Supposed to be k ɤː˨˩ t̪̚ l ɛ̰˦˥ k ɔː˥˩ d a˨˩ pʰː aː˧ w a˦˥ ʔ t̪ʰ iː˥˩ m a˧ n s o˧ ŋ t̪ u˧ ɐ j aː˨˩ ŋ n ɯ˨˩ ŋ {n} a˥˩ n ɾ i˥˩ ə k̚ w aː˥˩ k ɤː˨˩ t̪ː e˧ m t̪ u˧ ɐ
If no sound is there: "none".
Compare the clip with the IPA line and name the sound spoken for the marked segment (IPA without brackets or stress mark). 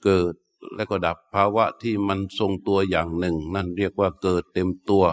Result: n